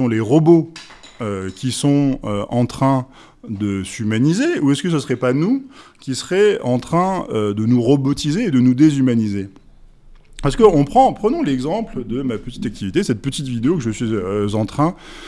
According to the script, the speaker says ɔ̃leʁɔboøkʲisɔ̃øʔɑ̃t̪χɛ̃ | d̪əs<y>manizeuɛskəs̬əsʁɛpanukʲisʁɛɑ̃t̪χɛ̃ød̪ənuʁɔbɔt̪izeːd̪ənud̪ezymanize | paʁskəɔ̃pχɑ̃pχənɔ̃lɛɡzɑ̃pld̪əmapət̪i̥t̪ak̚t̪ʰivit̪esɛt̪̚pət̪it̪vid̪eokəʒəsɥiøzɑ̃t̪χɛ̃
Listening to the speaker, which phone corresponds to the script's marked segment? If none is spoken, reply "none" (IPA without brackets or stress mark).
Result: y